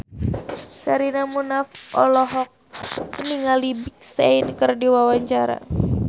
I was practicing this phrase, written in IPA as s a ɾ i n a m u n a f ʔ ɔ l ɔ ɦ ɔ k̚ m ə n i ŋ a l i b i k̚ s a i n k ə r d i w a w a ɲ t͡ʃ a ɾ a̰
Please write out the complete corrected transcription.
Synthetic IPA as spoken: s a ɾ i n a m u n a f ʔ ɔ l ɔ ɦ ɔ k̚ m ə n i ŋ a l i b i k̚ s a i n k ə r d i w a w a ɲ t͡ʃ a ɾ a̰